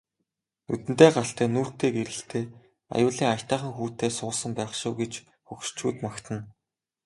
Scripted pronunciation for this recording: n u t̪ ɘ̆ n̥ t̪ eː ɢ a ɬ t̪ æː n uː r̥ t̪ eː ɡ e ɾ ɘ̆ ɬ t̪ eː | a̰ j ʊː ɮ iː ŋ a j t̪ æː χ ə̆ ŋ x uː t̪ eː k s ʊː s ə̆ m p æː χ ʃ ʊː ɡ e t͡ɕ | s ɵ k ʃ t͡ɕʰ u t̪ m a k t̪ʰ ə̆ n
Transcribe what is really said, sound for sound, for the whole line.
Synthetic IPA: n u t̪ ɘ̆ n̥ t̪ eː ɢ a ɬ t̪ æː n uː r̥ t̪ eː ɡ e ɾ ɘ̆ ɬ t̪ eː | a̰ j ʊː ɮ iː ŋ a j t̪ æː χ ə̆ ŋ x uː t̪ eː s ʊː s ə̆ m p æː χ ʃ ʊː ɡ e t͡ɕ | x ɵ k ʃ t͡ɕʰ uː t̪ m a k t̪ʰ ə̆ n